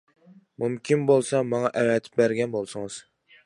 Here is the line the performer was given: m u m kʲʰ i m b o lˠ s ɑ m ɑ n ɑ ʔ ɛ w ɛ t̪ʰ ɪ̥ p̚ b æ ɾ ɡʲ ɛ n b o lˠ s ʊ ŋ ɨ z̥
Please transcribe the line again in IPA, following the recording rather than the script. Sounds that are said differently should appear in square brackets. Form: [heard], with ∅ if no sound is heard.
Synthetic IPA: m u m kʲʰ i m b o lˠ s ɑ m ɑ [ŋ] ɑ ʔ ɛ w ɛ t̪ʰ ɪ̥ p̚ b æ ɾ ɡʲ ɛ n b o lˠ s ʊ ŋ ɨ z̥